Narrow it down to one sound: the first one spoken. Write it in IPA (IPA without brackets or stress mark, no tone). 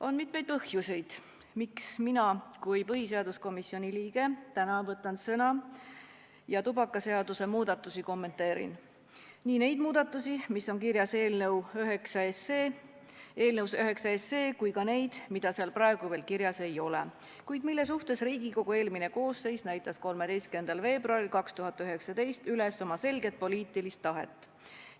o̞